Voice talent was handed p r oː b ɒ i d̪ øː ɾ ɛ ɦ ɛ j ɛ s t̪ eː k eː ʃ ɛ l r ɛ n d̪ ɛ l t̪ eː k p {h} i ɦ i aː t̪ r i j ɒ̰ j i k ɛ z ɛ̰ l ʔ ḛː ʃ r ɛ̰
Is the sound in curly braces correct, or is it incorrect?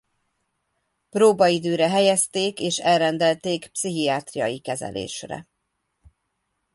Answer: incorrect